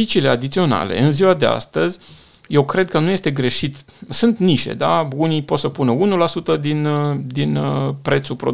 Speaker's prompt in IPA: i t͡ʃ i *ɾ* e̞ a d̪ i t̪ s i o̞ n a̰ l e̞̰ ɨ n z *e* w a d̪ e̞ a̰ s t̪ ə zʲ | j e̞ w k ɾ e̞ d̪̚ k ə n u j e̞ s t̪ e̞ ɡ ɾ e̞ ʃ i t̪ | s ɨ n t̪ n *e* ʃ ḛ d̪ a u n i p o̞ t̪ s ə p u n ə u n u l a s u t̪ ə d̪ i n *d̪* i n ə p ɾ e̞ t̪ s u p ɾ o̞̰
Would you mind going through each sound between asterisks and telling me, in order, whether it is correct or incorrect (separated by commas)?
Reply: incorrect, incorrect, incorrect, correct